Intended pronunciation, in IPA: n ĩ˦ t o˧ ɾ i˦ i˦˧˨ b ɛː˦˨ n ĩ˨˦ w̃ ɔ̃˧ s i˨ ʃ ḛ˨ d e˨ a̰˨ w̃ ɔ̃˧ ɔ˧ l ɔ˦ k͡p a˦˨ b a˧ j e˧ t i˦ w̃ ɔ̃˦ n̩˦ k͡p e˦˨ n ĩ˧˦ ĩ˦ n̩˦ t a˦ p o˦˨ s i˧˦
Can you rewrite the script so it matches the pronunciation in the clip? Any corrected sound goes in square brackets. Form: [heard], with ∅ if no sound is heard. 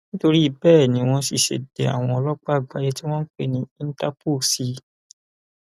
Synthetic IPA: n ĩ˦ t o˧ ɾ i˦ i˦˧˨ b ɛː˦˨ n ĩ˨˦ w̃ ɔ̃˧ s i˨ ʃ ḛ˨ d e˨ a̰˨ w̃ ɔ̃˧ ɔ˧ l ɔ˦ k͡p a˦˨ [ɡ͡b] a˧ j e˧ t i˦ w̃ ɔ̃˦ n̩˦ k͡p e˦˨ n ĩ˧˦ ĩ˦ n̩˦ t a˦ p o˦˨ s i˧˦